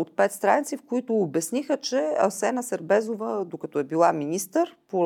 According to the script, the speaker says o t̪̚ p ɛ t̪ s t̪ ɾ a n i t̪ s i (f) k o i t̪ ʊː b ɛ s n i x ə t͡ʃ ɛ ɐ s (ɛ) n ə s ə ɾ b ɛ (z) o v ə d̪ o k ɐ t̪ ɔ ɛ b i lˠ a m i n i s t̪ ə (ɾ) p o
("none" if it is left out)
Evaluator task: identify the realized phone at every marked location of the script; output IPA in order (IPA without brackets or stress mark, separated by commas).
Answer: f, ɛ, z, ɾ